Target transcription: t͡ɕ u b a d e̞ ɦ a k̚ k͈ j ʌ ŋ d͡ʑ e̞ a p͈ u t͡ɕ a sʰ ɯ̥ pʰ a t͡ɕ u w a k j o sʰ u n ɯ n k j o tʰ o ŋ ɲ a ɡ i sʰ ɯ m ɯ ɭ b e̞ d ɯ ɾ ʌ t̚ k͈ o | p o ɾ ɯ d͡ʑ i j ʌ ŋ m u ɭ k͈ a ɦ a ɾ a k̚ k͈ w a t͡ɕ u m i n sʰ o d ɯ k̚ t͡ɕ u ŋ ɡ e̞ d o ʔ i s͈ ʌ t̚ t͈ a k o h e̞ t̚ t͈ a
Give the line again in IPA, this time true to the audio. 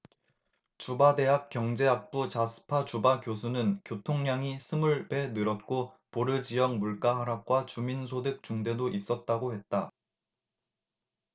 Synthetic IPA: t͡ɕ u b a d e̞ ɦ a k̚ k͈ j ʌ ŋ d͡ʑ e̞ a p͈ u t͡ɕ a sʰ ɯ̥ pʰ a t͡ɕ u b a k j o sʰ u n ɯ n k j o tʰ o ŋ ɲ a ŋ i sʰ ɯ m u ɭ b e̞ n ɯ ɾ ʌ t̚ k͈ o | p o ɾ ɯ d͡ʑ i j ʌ ŋ m u ɭ k͈ a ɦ a ɾ a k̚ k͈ w a t͡ɕ u m i n sʰ o d ɯ k̚ t͡ɕ u ŋ d e̞ d o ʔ i s͈ ʌ t̚ t͈ a ɡ o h e̞ t̚ t͈ a